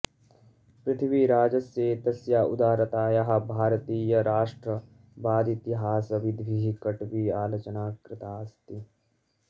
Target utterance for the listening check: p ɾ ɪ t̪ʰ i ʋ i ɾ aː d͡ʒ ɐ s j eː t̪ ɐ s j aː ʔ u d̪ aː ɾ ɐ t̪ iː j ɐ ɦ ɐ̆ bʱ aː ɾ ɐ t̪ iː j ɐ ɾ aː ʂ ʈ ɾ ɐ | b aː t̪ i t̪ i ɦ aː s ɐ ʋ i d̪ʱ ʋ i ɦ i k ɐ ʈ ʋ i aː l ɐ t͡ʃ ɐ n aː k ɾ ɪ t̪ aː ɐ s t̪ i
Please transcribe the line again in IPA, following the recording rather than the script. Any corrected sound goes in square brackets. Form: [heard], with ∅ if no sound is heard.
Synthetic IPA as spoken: p ɾ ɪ t̪ʰ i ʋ i ɾ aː d͡ʒ ɐ s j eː t̪ ɐ s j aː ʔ u d̪ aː ɾ ɐ t̪ [aː] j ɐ ɦ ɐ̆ bʱ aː ɾ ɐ t̪ iː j ɐ ɾ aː ʂ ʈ ɾ ɐ | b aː [d̪] i t̪ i ɦ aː s ɐ ʋ i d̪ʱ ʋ i ɦ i k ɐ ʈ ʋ i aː l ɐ t͡ʃ ɐ n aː k ɾ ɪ t̪ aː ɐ s t̪ i